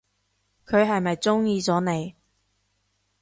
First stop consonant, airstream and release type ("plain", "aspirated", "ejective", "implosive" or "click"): aspirated